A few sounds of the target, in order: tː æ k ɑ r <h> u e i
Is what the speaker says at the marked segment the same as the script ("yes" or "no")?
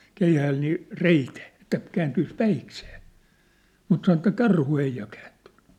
yes